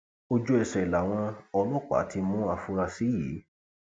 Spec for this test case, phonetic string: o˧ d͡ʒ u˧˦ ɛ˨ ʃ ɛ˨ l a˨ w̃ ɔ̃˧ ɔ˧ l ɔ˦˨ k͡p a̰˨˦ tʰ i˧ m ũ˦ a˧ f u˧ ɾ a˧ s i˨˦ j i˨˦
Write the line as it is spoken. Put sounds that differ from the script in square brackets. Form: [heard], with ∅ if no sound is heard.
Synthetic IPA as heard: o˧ d͡ʒ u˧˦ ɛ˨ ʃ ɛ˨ l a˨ w̃ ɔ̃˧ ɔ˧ l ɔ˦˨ k͡p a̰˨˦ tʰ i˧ m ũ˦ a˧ f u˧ ɾ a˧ s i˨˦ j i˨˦